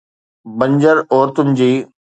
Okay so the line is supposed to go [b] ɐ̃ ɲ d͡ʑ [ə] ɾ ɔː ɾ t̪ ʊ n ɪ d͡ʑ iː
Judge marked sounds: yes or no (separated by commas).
yes, yes